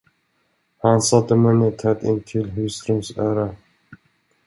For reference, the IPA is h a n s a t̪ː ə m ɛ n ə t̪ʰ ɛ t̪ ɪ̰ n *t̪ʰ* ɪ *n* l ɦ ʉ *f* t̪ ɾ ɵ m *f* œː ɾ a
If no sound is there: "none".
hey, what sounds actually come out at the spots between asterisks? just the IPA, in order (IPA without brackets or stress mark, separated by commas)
t̪ʰ, none, s, s